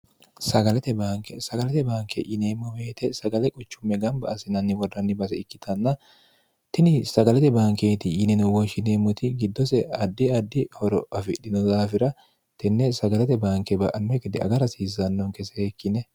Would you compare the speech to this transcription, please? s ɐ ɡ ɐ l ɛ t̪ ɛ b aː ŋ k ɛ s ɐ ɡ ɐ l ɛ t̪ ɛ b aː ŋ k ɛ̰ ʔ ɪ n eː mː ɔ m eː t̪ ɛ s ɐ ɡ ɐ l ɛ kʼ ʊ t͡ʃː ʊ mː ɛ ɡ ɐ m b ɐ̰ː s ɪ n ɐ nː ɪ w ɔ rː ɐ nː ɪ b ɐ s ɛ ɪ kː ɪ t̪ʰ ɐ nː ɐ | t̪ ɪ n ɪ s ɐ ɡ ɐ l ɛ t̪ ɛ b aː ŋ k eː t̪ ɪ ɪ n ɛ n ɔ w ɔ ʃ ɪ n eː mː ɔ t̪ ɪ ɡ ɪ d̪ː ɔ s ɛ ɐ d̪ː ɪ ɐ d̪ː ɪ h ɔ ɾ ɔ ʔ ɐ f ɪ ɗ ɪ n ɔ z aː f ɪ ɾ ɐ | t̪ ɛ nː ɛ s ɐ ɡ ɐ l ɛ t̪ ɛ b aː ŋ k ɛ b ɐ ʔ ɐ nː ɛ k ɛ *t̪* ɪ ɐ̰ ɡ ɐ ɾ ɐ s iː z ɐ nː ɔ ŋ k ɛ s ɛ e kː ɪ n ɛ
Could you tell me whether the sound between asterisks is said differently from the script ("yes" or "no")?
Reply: yes